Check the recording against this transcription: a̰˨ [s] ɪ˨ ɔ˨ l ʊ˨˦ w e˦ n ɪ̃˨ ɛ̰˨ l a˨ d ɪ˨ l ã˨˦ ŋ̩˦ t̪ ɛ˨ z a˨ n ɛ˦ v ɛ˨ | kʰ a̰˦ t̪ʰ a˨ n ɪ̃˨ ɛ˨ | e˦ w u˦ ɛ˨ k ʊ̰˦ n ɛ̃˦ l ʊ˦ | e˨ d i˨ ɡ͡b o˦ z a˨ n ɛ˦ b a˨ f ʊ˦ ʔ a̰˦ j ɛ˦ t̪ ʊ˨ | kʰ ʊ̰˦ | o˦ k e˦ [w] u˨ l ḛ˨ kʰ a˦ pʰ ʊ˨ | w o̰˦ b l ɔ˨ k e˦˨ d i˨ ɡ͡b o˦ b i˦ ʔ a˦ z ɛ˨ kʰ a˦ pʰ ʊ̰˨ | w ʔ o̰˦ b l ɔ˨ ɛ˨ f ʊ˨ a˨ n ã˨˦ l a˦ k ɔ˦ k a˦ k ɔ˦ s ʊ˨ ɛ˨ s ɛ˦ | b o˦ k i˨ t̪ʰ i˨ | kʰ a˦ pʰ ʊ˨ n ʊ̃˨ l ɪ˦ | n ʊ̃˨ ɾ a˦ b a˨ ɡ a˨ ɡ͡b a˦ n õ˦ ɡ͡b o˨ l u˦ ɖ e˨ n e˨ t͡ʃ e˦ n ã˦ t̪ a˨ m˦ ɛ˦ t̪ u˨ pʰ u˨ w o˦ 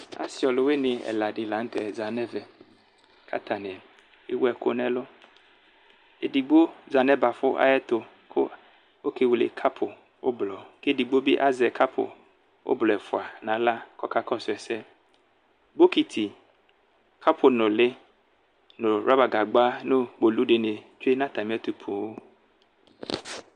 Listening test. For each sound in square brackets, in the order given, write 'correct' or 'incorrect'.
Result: correct, correct

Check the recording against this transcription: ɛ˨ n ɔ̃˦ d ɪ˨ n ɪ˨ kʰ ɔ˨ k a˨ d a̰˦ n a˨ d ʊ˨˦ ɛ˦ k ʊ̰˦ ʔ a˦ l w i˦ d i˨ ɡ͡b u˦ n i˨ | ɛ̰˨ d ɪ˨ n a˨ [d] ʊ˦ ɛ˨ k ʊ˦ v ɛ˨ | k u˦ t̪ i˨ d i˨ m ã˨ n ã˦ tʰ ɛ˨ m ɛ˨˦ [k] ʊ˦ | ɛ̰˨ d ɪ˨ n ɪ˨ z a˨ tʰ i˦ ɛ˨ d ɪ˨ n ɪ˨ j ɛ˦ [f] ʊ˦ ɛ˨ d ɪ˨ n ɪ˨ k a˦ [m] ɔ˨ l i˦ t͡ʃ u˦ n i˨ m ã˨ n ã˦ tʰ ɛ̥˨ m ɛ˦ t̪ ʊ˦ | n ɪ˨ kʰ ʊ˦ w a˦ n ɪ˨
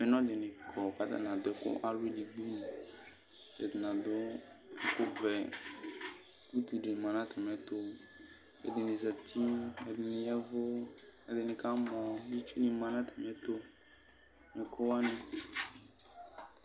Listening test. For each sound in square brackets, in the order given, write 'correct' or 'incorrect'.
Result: correct, incorrect: t, incorrect: v, correct

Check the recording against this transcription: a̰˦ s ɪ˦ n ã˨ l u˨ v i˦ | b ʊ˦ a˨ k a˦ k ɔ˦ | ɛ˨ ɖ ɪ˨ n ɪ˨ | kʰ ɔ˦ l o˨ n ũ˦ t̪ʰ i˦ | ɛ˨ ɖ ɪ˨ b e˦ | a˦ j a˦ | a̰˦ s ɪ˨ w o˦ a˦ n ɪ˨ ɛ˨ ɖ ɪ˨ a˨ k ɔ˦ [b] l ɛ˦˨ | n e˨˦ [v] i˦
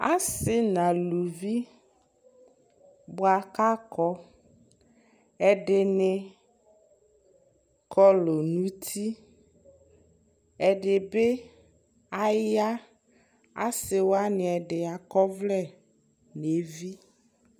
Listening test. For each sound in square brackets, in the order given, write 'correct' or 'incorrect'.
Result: incorrect: v, correct

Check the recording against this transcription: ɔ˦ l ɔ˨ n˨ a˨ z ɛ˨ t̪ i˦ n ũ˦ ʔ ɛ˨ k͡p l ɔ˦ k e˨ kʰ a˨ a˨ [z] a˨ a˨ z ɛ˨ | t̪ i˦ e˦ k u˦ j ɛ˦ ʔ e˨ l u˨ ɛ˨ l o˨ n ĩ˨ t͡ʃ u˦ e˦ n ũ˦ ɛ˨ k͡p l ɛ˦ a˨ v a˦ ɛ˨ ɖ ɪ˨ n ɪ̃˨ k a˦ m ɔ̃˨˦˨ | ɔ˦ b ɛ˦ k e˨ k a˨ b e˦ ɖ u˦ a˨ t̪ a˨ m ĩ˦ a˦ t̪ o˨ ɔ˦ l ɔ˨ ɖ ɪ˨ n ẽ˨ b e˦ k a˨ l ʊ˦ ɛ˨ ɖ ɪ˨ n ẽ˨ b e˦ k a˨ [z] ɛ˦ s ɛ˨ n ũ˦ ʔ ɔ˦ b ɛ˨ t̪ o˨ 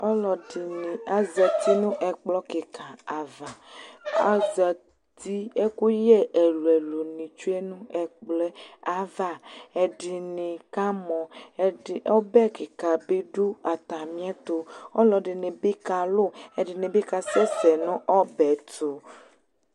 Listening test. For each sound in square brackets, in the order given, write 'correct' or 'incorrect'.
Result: incorrect: v, incorrect: s

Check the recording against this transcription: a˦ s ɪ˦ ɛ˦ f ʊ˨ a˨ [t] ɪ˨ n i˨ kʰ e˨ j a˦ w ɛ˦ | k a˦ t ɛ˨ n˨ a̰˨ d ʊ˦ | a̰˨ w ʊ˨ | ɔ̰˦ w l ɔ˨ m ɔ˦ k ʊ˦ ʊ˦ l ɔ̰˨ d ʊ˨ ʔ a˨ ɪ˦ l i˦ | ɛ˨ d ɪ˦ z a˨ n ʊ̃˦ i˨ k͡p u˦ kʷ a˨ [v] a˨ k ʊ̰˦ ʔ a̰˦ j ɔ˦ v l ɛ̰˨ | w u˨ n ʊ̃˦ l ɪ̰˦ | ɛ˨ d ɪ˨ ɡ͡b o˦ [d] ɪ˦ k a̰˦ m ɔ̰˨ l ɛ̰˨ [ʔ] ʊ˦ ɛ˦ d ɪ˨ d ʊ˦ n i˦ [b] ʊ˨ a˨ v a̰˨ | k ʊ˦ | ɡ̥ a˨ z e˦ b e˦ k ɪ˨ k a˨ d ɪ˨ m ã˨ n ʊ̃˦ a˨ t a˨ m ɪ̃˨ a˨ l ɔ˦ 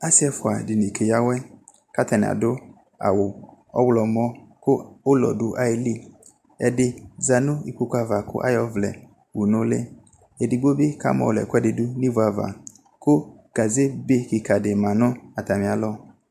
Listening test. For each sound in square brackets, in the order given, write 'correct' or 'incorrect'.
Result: incorrect: d, correct, incorrect: b, incorrect: k, incorrect: v

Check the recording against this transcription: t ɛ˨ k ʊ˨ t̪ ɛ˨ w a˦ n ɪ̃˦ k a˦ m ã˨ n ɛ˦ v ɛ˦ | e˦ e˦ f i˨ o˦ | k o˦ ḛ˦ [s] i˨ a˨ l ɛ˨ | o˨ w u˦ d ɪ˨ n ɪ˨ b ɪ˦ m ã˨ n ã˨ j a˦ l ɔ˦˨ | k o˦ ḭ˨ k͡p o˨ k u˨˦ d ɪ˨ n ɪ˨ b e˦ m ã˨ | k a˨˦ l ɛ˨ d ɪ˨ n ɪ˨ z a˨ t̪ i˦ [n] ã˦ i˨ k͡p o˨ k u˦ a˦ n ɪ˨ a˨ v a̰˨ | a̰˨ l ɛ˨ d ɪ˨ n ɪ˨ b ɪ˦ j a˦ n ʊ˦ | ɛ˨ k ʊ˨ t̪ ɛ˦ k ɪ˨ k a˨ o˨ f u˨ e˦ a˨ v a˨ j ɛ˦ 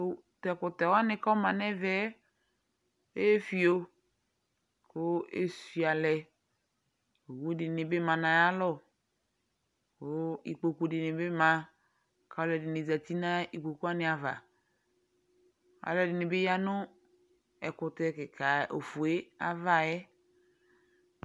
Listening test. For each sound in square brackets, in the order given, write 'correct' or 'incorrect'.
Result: correct, correct

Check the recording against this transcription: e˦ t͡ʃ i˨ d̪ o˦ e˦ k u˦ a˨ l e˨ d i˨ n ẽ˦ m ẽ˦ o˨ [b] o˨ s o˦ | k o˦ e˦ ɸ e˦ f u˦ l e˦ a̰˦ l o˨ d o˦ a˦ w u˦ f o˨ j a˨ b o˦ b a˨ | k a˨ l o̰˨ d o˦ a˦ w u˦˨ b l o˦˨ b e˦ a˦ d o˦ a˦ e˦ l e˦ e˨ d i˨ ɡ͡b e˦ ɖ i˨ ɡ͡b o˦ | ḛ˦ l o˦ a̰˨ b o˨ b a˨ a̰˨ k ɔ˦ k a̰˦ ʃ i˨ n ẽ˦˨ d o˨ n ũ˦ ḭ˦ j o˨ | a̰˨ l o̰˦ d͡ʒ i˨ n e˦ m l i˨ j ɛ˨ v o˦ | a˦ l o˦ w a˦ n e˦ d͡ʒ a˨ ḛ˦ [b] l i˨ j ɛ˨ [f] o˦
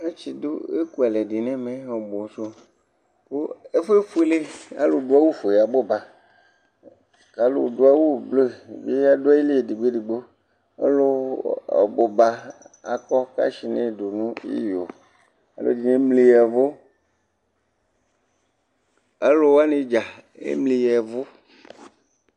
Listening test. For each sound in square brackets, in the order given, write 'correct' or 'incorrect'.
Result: correct, incorrect: m, incorrect: v

